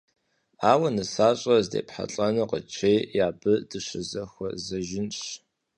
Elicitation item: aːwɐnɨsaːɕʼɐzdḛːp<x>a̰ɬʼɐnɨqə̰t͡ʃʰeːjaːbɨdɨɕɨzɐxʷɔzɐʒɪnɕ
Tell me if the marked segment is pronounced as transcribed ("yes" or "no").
no